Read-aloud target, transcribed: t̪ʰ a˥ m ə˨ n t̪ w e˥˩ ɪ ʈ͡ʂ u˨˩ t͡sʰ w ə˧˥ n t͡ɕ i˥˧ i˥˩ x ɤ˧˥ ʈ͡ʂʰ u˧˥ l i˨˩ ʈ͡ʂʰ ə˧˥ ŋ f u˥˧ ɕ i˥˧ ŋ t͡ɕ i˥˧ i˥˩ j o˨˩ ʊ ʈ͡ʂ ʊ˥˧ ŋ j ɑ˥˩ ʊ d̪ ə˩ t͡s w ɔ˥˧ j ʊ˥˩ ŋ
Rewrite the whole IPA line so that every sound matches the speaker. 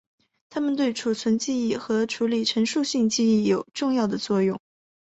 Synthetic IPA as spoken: t̪ʰ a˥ m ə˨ n t̪ w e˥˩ ɪ ʈ͡ʂʰ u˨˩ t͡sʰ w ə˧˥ n t͡ɕ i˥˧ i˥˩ x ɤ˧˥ ʈ͡ʂʰ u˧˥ l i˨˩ ʈ͡ʂʰ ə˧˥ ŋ ʂ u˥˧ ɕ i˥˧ ŋ t͡ɕ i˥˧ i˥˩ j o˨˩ ʊ ʈ͡ʂ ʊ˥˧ ŋ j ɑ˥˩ ʊ d̪ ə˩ t͡s w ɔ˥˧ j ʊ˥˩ ŋ